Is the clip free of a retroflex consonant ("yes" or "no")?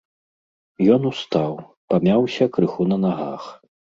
yes